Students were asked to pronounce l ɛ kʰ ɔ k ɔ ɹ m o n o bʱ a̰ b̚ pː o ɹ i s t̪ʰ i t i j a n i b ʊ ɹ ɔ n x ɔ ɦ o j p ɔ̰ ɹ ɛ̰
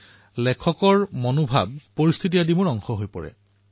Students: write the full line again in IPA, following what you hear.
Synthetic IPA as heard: l ɛ kʰ ɔ k ɔ ɹ m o n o bʱ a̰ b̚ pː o ɹ i s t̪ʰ i t i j a d i m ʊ ɹ ɔ ŋ x ɔ ɦ o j p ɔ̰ ɹ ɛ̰